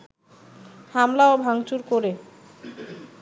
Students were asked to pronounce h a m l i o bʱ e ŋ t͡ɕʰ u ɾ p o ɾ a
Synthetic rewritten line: h a m l a o bʱ a ŋ t͡ɕ u ɾ k o ɾ e